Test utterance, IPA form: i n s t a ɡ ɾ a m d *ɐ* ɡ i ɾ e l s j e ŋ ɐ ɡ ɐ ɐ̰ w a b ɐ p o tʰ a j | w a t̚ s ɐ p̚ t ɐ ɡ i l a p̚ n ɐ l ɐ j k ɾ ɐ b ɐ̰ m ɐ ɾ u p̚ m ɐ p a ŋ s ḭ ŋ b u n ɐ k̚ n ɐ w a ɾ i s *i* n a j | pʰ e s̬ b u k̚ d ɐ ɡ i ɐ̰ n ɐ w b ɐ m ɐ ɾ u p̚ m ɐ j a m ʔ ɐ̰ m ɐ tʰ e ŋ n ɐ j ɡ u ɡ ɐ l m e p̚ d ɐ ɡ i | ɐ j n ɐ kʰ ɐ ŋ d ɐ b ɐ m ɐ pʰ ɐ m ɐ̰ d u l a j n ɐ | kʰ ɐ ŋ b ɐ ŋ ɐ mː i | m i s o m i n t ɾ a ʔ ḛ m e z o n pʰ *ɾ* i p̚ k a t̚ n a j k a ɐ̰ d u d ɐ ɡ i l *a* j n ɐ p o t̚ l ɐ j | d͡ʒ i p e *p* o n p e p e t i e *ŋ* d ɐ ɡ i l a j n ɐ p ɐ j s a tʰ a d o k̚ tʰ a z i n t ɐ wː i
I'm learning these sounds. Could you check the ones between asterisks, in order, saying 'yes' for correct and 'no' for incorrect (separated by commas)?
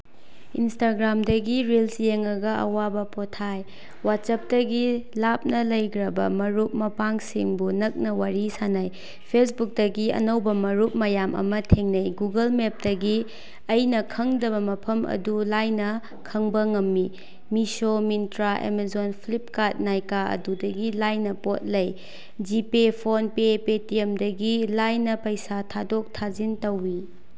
yes, no, no, yes, no, no